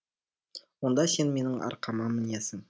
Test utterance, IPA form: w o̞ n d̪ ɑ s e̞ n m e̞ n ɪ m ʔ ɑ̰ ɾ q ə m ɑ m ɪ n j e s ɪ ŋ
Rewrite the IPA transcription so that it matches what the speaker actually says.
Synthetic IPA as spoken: w o̞ n d̪ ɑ s e̞ n m e̞ n ɪ ŋ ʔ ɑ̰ ɾ q ɑ m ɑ m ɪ n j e s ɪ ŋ